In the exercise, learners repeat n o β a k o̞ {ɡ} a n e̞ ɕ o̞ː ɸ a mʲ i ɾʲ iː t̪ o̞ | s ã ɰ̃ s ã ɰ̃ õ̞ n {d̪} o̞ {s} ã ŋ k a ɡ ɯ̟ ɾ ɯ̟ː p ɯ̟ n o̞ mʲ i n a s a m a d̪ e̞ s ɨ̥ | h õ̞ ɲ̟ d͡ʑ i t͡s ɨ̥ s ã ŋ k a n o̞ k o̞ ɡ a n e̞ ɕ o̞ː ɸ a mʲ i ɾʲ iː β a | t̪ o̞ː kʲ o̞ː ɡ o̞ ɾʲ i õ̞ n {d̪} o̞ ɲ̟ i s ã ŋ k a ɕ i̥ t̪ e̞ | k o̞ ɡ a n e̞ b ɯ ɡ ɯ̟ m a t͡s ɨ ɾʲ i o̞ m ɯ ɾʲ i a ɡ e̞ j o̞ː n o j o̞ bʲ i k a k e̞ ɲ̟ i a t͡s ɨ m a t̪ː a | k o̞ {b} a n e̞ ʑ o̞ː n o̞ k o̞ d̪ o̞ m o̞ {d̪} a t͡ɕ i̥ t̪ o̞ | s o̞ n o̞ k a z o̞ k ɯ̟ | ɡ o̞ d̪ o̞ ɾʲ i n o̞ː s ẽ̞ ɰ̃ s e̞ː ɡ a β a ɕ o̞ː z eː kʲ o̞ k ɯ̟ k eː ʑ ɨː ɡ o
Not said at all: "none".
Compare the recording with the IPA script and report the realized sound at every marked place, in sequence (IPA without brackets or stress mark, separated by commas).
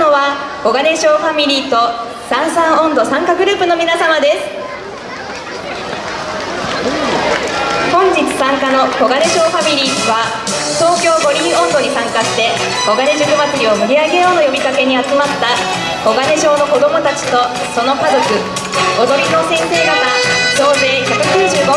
ɡ, d̪, s, d̪, ɡ, t̪